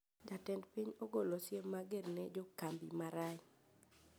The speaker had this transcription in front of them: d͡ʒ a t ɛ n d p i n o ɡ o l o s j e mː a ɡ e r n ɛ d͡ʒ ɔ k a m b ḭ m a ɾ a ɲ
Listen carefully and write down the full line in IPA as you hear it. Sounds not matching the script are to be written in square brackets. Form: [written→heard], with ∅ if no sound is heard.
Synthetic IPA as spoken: d͡ʒ a t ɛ n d p i [n→ɲ] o ɡ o l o s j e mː a ɡ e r n ɛ d͡ʒ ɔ k a m b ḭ m a ɾ a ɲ